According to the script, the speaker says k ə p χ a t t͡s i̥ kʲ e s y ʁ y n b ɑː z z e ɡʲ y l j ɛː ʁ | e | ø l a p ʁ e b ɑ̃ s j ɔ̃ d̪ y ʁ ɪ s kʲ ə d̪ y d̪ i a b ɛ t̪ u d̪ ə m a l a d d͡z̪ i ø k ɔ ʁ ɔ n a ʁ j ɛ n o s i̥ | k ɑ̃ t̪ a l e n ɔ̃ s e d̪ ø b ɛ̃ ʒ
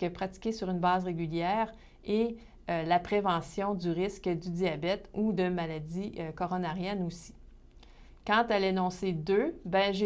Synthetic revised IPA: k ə p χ a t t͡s i̥ kʲ e s y ʁ y n b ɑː z ʁ e ɡʲ y l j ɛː ʁ | e | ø l a p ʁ e v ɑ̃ s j ɔ̃ d̪ y ʁ ɪ s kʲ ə d̪ y d̪ i a b ɛ t̪ u d̪ ə m a l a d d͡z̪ i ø k ɔ ʁ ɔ n a ʁ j ɛ n o s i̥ | k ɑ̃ t̪ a l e n ɔ̃ s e d̪ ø b ɛ̃ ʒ